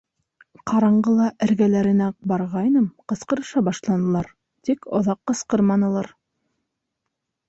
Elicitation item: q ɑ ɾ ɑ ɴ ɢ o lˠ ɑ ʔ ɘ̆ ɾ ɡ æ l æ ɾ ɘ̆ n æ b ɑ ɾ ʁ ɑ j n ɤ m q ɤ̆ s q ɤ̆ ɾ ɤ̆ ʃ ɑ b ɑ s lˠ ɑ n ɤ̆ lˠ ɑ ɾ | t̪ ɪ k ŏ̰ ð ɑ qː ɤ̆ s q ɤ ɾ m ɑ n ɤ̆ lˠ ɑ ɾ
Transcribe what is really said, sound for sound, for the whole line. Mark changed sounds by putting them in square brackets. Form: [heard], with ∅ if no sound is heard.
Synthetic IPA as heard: q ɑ ɾ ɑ ɴ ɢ [ɤ] lˠ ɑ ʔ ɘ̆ ɾ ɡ æ l æ ɾ ɘ̆ n æ b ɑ ɾ ʁ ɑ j n ɤ m q ɤ̆ s q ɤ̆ ɾ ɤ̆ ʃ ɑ b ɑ [ʃ] lˠ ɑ n ɤ̆ lˠ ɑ ɾ | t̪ [i] k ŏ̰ ð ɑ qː ɤ̆ s q ɤ ɾ m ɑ n ɤ̆ lˠ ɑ ɾ